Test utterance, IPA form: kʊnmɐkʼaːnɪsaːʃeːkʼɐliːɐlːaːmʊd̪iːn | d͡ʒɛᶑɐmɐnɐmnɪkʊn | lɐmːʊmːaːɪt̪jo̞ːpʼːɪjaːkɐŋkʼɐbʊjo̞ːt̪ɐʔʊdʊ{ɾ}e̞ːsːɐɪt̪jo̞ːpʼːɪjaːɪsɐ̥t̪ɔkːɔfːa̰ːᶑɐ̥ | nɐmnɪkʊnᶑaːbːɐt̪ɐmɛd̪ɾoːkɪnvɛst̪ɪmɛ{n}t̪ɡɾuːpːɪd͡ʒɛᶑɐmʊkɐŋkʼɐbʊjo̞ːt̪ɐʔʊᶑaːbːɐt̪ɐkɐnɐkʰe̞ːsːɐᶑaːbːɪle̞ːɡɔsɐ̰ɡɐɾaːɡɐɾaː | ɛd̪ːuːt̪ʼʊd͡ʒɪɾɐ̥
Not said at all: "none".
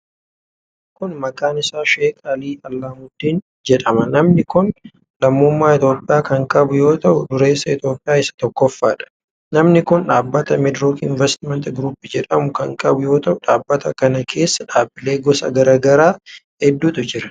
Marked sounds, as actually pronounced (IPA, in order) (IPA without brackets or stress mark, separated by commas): ɾ, n